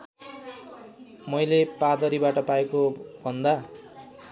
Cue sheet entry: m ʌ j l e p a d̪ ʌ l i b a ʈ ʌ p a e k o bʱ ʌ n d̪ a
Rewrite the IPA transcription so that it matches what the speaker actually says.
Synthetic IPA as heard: m ʌ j l e p a d̪ ʌ ɾ i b a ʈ ʌ p a e k o bʱ ʌ n d̪ a